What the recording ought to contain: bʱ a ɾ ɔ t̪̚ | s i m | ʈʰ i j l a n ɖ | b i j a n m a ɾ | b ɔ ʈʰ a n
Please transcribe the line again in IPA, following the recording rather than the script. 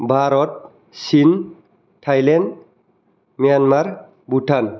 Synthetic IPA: bʱ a ɾ ɔ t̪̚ | s i n | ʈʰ a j l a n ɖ | m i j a n m a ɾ | b u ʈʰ a n